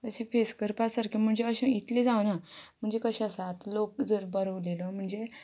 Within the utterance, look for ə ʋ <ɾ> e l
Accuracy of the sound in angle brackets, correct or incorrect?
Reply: incorrect